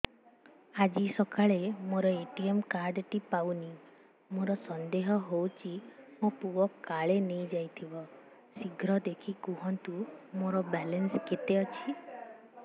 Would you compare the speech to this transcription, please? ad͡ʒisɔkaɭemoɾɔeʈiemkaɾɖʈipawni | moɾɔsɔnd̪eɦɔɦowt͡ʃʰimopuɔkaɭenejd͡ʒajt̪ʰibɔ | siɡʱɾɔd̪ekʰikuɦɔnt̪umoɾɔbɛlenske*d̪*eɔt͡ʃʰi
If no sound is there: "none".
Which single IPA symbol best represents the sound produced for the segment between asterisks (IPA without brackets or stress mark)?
t̪